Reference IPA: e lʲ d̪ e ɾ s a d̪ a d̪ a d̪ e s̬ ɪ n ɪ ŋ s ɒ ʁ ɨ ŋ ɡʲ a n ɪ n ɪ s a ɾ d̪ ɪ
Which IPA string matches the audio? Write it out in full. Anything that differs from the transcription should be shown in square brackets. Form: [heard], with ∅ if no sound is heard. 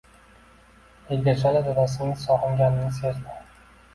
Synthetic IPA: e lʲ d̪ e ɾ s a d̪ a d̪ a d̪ [a] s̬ ɪ n ɪ ŋ s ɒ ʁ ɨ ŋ ɡʲ a n ɪ n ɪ s [e] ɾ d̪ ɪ